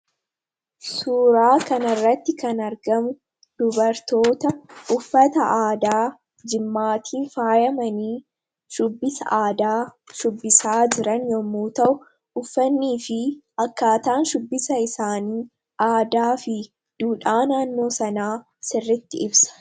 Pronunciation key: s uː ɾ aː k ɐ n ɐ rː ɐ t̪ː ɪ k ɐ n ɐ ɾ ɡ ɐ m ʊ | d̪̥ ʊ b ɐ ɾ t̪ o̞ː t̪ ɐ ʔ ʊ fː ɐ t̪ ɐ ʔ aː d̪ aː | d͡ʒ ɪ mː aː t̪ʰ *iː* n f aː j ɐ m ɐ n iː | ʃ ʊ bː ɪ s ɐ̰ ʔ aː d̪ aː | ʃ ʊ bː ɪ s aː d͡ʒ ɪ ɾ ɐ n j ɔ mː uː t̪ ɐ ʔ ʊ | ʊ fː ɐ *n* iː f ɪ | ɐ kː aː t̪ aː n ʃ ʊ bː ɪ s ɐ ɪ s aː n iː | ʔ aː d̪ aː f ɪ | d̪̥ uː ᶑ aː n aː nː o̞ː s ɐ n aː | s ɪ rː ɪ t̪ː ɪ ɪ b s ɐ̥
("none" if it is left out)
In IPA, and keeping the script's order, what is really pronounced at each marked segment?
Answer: iː, nː

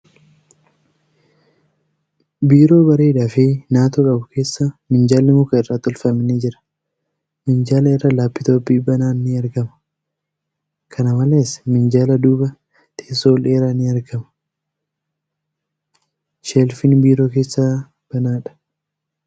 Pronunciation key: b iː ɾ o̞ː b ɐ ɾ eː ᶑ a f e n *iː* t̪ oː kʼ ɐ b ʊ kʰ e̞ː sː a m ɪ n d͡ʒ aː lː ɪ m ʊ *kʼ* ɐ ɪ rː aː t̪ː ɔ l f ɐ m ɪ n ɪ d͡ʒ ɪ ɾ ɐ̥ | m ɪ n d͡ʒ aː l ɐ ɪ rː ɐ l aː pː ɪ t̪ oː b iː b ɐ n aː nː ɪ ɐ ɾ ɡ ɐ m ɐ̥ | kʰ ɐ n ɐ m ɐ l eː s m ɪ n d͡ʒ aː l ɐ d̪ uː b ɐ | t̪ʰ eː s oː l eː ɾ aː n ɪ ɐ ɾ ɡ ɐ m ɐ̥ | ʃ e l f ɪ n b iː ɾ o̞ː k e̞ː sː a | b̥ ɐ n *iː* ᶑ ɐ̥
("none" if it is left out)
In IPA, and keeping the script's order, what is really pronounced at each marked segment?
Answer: aː, k, aː

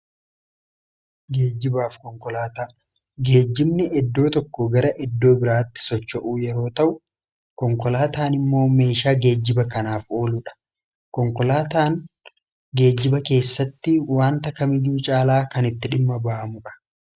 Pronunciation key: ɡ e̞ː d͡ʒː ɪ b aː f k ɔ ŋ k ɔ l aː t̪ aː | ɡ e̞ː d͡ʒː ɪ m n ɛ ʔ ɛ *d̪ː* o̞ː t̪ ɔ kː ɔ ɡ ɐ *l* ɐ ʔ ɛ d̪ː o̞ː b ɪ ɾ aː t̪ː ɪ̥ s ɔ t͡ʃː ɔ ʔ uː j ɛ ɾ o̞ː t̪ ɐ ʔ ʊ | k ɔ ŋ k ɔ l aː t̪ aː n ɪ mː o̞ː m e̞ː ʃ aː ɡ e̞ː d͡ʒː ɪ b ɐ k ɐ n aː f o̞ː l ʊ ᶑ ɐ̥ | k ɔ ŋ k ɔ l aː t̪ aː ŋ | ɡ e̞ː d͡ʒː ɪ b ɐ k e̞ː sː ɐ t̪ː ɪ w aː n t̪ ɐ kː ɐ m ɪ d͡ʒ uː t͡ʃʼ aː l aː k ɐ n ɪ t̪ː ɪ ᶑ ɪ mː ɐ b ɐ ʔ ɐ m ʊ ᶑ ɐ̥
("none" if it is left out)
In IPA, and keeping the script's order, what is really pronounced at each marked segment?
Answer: d̪ː, ɾ

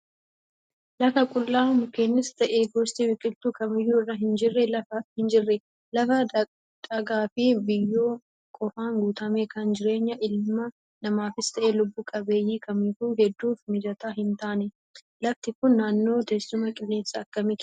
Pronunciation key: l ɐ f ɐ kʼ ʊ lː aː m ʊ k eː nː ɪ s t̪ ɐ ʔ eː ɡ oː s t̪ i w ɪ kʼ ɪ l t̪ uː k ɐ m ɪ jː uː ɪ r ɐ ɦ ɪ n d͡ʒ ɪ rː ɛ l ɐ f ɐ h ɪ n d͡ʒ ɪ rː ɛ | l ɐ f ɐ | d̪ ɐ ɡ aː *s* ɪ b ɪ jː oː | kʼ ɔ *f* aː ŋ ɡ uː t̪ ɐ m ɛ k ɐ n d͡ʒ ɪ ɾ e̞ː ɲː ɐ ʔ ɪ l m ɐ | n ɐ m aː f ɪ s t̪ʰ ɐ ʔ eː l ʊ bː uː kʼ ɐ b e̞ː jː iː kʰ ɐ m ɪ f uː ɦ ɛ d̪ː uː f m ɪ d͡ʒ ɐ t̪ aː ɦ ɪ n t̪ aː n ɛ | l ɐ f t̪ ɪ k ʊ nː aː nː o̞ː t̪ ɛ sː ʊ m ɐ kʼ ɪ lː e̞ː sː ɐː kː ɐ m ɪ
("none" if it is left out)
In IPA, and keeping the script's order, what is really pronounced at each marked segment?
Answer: f, f

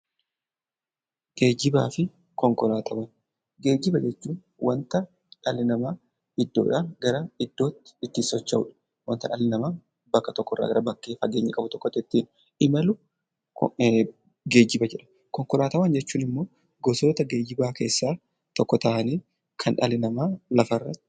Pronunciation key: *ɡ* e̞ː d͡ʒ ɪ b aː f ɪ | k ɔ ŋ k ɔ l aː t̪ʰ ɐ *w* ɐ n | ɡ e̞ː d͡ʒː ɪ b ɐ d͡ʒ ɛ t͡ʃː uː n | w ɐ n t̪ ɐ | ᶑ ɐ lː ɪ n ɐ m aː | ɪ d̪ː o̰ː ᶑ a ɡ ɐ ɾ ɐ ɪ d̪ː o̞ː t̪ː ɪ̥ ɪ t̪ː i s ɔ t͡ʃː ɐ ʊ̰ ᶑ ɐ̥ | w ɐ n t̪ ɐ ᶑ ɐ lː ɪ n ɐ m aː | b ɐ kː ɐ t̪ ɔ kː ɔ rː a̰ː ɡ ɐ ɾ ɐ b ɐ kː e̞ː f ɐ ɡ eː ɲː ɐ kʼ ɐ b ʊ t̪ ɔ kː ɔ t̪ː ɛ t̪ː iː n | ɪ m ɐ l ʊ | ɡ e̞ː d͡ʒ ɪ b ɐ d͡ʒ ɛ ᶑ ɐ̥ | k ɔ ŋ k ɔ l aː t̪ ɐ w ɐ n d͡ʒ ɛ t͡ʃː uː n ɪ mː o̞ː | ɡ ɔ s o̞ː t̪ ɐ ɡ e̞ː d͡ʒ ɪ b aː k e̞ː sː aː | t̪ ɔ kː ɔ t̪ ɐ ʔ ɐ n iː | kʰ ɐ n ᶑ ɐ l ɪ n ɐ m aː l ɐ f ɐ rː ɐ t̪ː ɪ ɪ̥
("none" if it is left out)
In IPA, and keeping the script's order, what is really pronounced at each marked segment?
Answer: ɡ, w

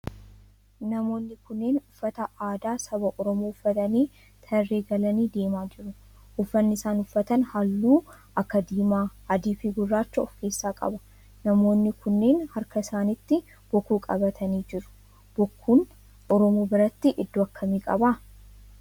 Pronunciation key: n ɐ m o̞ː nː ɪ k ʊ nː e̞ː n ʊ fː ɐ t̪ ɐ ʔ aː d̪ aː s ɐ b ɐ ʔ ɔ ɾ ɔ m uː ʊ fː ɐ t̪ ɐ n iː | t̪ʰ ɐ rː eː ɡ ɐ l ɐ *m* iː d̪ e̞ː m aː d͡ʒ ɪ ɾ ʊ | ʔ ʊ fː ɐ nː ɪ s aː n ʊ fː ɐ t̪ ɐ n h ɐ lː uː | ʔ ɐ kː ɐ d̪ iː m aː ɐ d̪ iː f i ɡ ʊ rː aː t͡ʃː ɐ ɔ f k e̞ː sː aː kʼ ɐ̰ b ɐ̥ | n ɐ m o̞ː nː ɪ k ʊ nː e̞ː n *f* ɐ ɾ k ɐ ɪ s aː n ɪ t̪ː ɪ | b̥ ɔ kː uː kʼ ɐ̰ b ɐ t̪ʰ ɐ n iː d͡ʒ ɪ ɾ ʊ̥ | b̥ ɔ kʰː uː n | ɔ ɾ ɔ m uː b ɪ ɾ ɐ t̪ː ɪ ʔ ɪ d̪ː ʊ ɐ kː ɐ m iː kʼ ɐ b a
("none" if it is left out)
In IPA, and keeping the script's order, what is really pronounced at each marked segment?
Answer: n, h

